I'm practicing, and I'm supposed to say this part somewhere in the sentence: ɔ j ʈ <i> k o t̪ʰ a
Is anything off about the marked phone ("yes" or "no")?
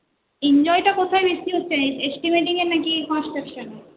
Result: yes